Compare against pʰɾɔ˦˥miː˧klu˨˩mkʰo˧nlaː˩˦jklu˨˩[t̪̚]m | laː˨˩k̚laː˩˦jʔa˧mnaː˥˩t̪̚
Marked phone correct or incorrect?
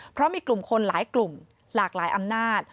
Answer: incorrect